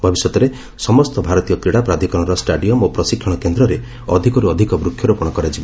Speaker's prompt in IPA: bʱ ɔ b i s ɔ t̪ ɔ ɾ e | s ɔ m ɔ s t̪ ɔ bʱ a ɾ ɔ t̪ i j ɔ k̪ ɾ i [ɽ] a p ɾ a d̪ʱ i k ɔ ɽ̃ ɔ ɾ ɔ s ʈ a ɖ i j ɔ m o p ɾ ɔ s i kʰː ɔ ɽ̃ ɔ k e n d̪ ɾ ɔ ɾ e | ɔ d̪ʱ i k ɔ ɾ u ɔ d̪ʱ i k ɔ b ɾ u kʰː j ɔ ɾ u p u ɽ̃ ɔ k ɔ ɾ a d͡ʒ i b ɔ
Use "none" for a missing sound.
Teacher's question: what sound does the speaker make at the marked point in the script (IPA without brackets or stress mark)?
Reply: ɽ